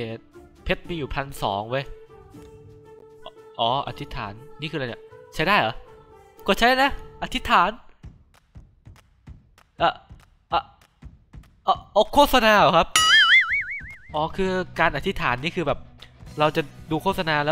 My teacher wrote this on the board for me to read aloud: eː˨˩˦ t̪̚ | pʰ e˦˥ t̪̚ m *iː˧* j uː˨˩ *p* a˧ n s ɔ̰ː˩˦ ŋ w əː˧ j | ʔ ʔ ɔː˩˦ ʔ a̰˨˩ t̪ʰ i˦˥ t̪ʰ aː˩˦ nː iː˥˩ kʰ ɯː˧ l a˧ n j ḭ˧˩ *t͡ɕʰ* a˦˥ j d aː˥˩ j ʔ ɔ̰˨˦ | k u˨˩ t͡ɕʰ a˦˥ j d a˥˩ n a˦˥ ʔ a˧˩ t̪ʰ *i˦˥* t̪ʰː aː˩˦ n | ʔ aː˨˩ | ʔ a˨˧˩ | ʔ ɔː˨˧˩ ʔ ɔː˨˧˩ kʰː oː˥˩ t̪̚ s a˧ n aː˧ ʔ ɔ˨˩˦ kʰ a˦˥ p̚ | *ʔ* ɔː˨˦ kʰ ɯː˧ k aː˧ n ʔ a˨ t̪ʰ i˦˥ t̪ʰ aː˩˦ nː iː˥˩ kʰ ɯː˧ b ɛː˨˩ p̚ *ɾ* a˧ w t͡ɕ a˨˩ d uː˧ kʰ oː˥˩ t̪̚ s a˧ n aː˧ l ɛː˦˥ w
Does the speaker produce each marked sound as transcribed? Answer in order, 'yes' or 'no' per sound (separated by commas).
yes, no, yes, yes, yes, yes